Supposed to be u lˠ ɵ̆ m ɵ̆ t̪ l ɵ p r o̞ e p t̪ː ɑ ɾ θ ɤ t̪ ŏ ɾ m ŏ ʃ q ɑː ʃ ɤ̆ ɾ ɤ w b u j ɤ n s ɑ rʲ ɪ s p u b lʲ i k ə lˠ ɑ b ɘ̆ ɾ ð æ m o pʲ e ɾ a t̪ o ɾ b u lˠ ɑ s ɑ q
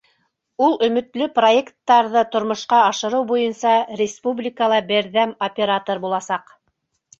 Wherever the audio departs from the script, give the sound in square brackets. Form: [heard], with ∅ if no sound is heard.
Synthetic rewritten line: u lˠ ɵ̆ m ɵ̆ t̪ l ɵ p r o̞ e [k] t̪ː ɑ ɾ [ð] ɤ t̪ ŏ ɾ m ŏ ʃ q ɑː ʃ ɤ̆ ɾ ɤ w b u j ɤ n s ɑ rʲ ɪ s p u b lʲ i k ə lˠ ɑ b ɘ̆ ɾ ð æ m o pʲ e ɾ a t̪ o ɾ b u lˠ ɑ s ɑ q